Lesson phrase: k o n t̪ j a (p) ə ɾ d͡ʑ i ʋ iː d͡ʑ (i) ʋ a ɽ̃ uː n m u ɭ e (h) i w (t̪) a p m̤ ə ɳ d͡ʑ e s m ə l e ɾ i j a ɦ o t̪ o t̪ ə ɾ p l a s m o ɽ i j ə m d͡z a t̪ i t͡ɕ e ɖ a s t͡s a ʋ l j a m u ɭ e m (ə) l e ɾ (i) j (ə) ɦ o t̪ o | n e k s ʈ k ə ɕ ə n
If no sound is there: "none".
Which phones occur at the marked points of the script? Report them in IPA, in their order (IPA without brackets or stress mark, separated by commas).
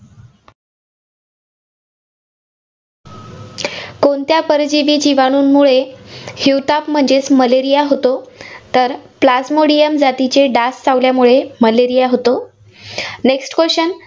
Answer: p, i, h, t̪, ə, i, a